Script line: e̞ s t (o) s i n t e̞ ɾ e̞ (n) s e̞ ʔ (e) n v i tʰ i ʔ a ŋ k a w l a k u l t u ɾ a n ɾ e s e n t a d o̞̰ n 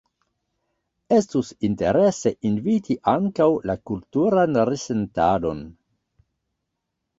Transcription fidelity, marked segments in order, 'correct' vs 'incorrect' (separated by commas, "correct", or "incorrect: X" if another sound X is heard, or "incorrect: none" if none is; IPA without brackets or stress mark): incorrect: u, incorrect: none, incorrect: i